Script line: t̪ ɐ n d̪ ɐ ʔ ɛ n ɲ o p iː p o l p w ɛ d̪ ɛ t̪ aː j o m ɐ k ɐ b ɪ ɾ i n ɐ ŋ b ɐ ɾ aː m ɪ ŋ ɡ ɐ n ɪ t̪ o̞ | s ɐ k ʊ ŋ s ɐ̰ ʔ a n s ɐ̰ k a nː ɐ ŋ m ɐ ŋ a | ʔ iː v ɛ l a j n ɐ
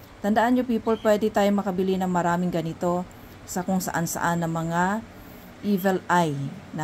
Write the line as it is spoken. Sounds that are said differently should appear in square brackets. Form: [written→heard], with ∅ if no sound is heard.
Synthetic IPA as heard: t̪ ɐ n d̪ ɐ ʔ [ɛ→a] n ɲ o p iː p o l p w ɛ d̪ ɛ t̪ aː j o m ɐ k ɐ b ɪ [ɾ→l] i n ɐ ŋ [b→m] ɐ ɾ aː m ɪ ŋ ɡ ɐ n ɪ t̪ o̞ | s ɐ k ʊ ŋ s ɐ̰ ʔ a n s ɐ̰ [k→ʔ] a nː ɐ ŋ m ɐ ŋ a | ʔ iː v ɛ l a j n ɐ